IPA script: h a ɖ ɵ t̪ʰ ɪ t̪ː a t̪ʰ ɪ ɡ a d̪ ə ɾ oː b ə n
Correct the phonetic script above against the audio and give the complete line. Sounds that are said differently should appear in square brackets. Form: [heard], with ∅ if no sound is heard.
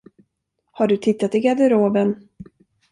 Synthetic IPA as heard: h a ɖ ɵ t̪ʰ ɪ t̪ː a [t̪] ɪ ɡ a d̪ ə ɾ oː b ə n